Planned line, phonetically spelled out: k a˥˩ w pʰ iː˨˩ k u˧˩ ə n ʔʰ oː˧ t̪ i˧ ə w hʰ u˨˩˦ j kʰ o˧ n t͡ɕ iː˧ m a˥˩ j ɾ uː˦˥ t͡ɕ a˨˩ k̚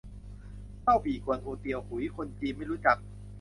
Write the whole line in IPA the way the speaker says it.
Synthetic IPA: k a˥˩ w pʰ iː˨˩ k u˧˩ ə n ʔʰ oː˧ t̪ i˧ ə w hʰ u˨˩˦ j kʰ o˧ n t͡ɕ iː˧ m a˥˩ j ɾ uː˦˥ t͡ɕ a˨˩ k̚